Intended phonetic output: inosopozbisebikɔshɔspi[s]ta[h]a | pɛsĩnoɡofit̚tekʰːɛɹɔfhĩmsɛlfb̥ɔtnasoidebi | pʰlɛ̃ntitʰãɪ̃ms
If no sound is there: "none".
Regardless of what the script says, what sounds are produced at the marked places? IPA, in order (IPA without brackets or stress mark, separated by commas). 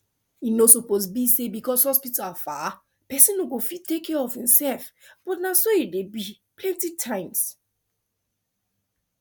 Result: none, f